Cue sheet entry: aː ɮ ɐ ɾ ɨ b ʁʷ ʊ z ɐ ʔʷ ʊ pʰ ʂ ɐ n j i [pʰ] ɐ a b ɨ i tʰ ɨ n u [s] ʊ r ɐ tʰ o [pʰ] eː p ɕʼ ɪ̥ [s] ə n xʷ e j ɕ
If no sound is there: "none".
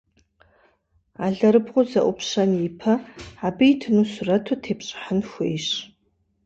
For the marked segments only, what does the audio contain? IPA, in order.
pʰ, s, tʰ, ħ

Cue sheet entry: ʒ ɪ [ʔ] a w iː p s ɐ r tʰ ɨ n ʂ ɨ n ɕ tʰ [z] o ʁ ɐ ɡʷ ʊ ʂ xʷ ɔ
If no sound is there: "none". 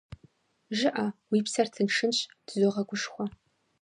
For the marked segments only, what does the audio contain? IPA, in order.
ʔ, z

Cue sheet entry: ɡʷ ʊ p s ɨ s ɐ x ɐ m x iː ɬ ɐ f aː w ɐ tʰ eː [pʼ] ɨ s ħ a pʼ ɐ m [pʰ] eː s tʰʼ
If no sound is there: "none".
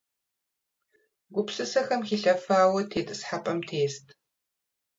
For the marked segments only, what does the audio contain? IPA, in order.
tʼ, tʰ

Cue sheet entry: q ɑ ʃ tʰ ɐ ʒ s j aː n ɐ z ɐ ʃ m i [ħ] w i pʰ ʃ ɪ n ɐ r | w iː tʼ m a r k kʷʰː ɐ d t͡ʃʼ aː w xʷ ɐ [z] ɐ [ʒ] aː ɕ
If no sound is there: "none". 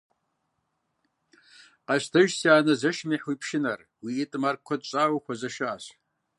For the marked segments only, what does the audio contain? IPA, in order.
ħ, z, ʃ

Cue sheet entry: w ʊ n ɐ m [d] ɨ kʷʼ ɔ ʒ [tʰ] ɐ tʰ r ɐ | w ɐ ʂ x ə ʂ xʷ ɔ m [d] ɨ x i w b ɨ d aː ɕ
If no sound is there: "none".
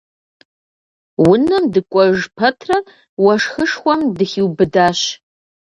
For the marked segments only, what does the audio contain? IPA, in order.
d, pʰ, d

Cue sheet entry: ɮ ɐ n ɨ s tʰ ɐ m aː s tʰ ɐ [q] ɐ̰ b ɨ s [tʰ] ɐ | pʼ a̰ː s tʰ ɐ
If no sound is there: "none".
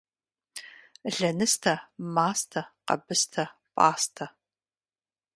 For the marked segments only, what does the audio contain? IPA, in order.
q, tʰ

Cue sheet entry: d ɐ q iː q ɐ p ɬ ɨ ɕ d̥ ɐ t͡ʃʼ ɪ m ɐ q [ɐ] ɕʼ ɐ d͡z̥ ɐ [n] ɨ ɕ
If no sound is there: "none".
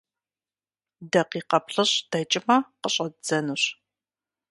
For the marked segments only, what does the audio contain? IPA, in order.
ə, n

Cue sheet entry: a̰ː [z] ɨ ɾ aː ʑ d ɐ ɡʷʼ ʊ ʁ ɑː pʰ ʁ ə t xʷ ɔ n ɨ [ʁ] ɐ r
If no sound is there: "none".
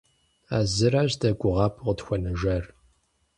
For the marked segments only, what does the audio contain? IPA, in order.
z, ʒ

